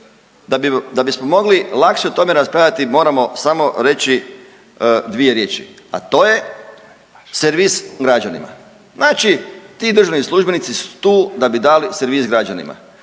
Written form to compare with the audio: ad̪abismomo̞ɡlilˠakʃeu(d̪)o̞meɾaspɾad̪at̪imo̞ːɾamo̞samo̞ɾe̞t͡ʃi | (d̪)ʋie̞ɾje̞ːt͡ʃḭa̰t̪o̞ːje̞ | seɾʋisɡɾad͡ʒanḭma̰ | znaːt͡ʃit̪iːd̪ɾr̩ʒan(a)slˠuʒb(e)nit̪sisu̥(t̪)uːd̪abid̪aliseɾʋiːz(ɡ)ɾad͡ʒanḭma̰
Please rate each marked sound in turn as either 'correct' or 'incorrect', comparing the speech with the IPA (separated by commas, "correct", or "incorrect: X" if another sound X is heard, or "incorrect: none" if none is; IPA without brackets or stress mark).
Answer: incorrect: t̪, correct, incorrect: i, correct, correct, correct